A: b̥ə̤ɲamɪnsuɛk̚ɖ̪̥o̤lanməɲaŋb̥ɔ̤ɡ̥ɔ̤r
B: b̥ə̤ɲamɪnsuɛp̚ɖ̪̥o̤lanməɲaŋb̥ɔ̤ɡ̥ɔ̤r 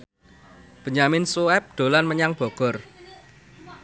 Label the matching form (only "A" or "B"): B